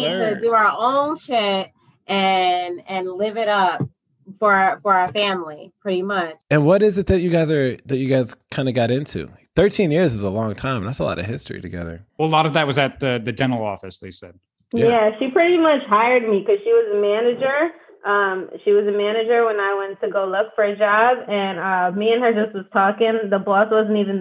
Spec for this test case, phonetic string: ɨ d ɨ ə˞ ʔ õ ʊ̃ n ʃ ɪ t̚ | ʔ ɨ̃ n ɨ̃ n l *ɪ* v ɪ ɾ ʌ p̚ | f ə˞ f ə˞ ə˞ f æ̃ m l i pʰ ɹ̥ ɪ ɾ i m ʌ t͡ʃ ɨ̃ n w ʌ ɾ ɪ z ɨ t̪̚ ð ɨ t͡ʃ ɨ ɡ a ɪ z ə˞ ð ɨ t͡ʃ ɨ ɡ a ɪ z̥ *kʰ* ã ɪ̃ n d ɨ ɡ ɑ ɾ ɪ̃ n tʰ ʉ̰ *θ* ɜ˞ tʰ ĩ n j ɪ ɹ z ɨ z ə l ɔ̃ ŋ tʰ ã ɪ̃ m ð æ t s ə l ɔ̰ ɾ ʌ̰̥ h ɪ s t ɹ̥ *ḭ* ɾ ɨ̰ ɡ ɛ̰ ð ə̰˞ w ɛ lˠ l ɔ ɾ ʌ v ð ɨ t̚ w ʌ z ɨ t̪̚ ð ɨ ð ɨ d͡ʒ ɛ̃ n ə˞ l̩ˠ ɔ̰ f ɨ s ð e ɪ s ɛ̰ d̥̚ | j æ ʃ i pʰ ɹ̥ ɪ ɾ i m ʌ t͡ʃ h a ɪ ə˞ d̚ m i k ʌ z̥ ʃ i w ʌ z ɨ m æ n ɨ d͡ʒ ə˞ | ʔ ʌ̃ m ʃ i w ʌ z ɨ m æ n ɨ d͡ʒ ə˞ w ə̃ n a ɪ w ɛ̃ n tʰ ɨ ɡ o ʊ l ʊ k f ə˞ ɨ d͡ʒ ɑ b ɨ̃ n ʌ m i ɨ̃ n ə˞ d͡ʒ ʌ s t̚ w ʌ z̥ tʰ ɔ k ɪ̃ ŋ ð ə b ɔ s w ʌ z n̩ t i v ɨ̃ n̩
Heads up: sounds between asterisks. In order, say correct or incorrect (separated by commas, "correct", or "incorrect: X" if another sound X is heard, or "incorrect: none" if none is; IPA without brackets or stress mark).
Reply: correct, correct, correct, correct